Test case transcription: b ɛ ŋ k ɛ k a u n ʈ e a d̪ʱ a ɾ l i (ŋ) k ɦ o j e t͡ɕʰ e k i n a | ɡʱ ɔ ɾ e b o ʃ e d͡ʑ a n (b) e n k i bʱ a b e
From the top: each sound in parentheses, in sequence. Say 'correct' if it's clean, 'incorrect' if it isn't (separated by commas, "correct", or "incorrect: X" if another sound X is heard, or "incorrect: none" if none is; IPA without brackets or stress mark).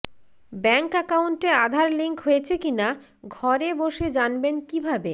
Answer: correct, correct